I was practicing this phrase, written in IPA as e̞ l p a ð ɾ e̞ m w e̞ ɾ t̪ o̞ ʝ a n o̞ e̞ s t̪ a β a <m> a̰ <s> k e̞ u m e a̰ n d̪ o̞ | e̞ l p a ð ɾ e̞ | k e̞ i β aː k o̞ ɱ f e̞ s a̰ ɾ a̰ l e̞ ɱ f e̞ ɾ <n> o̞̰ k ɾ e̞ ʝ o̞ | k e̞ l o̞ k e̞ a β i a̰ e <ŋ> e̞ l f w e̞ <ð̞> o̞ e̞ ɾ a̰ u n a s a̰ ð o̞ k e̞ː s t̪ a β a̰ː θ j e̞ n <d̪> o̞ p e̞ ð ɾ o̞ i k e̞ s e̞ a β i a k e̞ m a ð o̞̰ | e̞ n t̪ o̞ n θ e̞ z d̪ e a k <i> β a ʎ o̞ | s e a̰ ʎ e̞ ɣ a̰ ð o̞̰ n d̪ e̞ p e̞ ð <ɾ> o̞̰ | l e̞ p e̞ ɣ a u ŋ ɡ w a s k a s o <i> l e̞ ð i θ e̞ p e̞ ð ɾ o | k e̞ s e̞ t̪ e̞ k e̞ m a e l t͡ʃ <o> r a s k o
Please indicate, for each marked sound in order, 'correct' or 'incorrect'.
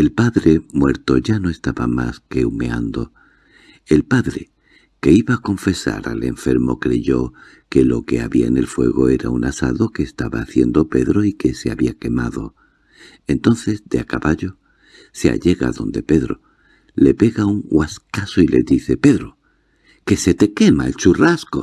correct, correct, incorrect, incorrect, incorrect, correct, incorrect, correct, correct, incorrect

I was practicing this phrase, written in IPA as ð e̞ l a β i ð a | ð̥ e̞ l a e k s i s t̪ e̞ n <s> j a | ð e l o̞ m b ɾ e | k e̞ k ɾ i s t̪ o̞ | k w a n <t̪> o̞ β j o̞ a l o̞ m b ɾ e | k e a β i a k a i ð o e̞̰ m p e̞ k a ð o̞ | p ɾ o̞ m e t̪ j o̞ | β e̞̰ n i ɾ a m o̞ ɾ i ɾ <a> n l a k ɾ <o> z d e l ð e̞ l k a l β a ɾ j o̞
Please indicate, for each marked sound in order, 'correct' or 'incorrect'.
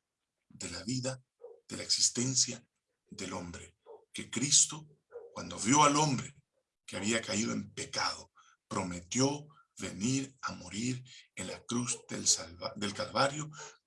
correct, incorrect, incorrect, incorrect

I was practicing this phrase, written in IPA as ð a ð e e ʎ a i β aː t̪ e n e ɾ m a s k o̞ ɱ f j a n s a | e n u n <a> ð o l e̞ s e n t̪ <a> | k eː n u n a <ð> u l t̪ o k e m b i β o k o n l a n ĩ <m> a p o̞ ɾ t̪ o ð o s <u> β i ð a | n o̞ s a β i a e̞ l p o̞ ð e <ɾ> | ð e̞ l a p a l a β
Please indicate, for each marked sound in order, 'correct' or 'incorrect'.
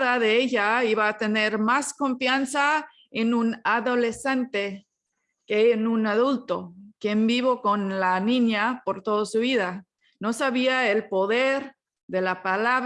correct, incorrect, correct, incorrect, correct, correct

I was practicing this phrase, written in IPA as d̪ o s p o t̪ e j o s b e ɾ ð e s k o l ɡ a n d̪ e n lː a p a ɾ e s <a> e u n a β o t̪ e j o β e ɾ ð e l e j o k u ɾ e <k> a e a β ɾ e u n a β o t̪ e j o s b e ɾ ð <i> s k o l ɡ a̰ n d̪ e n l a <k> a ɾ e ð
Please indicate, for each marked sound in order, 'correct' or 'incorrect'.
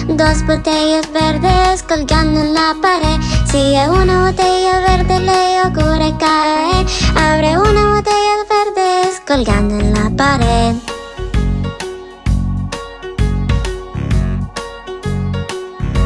incorrect, correct, incorrect, incorrect

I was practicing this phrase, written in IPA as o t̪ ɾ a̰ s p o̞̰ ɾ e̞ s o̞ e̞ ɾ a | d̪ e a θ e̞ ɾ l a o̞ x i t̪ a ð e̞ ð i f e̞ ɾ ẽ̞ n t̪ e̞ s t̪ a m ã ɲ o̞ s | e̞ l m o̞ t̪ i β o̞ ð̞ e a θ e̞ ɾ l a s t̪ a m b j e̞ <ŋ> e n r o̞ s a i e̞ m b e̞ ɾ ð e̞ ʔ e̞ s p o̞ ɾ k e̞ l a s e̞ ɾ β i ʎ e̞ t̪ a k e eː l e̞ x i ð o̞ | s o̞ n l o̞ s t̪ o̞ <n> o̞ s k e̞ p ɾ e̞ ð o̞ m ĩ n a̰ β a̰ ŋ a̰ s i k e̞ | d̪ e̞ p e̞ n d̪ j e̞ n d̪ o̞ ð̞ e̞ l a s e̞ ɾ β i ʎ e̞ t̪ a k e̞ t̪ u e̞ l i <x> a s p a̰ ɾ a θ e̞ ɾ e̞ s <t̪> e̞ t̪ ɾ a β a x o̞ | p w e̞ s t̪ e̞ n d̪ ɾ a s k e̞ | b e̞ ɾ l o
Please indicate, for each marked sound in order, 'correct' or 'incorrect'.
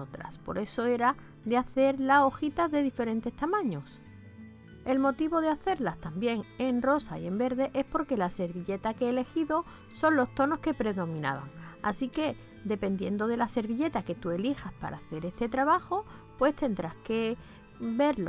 correct, correct, correct, correct

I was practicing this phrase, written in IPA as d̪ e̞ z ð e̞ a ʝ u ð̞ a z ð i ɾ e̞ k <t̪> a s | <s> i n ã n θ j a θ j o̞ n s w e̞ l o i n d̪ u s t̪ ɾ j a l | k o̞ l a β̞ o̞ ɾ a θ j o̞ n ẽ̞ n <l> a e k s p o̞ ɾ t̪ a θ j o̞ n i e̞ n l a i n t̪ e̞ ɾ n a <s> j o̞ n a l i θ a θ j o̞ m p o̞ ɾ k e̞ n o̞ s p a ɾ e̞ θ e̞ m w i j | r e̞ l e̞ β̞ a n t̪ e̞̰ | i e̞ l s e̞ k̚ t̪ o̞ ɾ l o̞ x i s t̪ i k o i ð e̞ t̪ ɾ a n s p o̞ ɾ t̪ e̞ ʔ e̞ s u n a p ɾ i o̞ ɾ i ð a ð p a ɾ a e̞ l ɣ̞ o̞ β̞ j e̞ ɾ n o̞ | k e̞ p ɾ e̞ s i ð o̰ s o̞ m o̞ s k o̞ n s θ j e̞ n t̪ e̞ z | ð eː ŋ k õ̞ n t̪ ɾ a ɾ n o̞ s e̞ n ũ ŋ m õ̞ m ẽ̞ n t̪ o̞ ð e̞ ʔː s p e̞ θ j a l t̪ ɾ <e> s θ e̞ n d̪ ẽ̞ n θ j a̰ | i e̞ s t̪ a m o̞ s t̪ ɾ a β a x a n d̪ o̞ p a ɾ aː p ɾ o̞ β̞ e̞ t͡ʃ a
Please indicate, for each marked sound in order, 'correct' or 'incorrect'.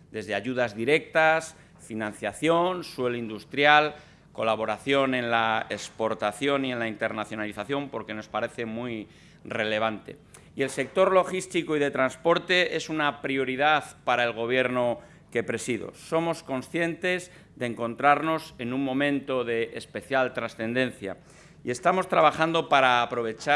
correct, incorrect, correct, incorrect, incorrect

